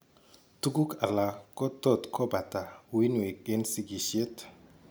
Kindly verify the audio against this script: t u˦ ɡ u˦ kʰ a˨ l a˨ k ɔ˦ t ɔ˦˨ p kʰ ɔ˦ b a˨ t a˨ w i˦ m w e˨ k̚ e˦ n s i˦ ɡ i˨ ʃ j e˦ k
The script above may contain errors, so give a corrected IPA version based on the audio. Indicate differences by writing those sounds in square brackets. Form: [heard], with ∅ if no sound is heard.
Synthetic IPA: t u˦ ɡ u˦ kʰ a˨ l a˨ k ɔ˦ t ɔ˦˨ [t] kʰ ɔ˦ b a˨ t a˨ w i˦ [n] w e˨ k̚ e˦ n s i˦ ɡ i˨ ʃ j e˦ [t]